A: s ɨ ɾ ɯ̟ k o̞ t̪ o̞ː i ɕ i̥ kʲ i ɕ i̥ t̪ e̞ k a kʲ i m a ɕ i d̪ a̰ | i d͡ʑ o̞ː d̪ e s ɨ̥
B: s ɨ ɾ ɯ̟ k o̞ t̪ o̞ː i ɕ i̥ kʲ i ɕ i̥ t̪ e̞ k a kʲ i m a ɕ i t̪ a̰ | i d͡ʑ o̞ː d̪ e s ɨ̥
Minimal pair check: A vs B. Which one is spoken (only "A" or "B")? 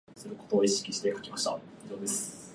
B